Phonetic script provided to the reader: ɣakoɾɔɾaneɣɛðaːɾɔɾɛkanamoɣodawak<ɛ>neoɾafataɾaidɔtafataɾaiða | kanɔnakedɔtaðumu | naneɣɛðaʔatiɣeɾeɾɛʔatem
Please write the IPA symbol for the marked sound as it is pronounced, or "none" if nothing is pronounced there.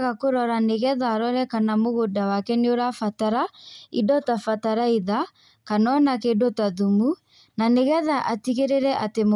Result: ɛ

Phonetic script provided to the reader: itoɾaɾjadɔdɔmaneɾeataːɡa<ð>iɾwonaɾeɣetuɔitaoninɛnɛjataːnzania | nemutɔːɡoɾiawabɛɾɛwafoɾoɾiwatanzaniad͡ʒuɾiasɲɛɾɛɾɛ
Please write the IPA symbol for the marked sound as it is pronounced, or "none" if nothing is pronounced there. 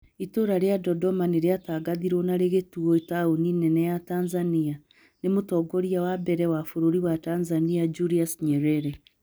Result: ð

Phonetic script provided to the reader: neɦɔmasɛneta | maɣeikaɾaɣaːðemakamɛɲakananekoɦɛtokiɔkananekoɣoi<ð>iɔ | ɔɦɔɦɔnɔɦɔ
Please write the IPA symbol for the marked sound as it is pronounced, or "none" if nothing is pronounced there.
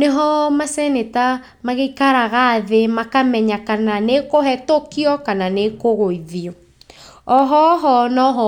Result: ð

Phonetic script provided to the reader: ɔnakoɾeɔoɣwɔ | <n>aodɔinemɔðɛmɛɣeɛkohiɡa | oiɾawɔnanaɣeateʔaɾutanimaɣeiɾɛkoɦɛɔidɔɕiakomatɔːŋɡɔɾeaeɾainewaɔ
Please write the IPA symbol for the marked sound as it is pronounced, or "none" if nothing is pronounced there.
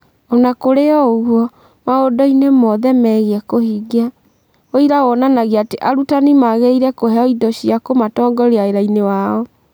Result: m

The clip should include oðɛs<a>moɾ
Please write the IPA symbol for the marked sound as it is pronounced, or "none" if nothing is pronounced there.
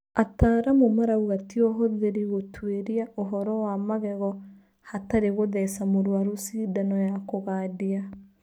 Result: a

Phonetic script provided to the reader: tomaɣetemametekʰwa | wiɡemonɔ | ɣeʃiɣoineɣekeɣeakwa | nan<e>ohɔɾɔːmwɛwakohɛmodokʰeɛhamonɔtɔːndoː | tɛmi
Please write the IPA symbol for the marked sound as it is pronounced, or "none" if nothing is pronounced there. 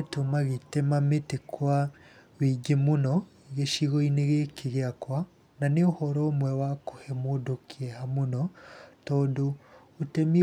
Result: e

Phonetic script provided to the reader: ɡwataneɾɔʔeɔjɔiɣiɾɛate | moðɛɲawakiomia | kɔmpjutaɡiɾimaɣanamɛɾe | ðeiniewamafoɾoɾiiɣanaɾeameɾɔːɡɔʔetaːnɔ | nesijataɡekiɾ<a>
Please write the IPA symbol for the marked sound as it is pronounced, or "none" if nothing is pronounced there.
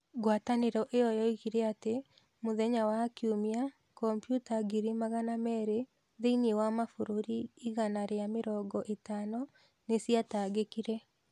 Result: ɛ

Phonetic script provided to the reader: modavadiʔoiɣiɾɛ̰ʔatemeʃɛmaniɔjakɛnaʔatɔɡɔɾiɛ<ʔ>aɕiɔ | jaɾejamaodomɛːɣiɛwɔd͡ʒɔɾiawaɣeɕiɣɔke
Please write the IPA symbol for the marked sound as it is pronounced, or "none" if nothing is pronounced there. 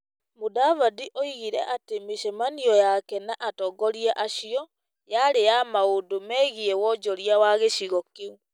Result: ʔ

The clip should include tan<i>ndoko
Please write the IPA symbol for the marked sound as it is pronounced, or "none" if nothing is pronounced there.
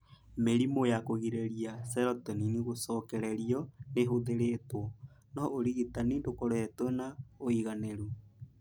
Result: i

